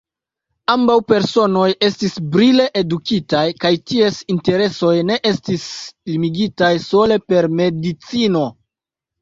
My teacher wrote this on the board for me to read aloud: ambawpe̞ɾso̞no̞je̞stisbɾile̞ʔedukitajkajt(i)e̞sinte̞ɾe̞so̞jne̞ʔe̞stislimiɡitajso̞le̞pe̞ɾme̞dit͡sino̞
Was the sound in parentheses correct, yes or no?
yes